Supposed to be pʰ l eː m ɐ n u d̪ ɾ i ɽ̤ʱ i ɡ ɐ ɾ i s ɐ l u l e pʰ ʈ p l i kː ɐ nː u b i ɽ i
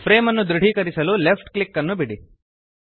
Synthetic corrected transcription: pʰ ɾ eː m ɐ nː u d̪ ɾ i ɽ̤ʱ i k ɐ ɾ i s ɐ l u l e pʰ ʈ k l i kː ɐ nː u b i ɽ i